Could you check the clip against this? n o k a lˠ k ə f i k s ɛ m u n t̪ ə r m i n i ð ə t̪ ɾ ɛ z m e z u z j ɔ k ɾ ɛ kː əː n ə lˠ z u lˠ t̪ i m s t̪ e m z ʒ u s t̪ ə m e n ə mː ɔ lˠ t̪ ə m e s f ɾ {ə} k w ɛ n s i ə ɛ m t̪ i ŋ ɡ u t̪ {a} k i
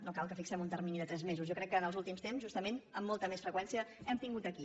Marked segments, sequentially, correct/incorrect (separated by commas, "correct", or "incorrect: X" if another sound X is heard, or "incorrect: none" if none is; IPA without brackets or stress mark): correct, incorrect: ə